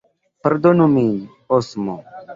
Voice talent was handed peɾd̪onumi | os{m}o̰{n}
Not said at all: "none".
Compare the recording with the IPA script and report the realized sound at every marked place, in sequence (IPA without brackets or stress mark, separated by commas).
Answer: m, none